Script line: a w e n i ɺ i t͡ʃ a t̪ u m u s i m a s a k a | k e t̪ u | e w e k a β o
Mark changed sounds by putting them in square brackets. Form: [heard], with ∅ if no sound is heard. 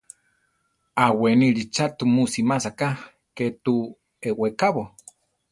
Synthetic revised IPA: a w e n i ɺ i t͡ʃ a t̪ u m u s i m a s a k a | k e t̪ u | e w e k a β o